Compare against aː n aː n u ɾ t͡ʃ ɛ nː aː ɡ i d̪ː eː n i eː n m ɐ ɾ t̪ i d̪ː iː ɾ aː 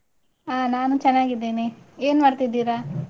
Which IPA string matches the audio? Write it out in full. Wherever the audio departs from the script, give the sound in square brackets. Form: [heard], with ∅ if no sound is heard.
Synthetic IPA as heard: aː n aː n u [∅] t͡ʃ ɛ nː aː ɡ i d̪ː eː n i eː n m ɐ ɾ t̪ i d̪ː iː ɾ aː